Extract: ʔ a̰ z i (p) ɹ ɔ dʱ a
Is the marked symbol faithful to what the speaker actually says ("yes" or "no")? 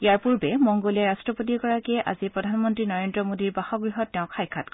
yes